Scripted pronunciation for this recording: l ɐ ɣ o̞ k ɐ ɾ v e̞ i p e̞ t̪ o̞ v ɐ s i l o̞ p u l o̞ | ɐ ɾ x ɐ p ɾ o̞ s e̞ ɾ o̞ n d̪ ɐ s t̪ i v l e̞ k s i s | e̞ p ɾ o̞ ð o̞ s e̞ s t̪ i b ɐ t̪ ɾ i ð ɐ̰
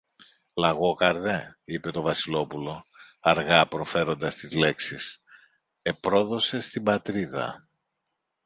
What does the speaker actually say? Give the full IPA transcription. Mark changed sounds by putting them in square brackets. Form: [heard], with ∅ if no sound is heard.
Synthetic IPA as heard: l ɐ ɣ o̞ k ɐ ɾ [ð] e̞ i p e̞ t̪ o̞ v ɐ s i l o̞ p u l o̞ | ɐ ɾ [ɣ] ɐ p ɾ o̞ [f] e̞ ɾ o̞ n d̪ ɐ s t̪ i [z] l e̞ k s i s | e̞ p ɾ o̞ ð o̞ s e̞ s t̪ i b ɐ t̪ ɾ i ð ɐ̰

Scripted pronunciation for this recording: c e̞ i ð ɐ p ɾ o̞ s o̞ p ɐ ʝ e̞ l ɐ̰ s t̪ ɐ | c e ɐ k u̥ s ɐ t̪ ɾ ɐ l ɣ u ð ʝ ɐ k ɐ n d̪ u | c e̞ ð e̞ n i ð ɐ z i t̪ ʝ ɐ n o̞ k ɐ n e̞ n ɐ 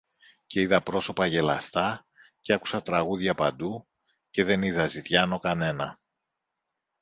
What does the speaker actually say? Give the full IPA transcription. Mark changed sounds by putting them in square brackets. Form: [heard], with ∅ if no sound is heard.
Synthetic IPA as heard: c e̞ i ð ɐ p ɾ o̞ s o̞ p ɐ ʝ e̞ l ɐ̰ s t̪ ɐ | c e ɐ k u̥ s ɐ t̪ ɾ ɐ [∅] ɣ u ð ʝ ɐ [p] ɐ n d̪ u | c e̞ ð e̞ n i ð ɐ z i t̪ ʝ ɐ n o̞ k ɐ n e̞ n ɐ

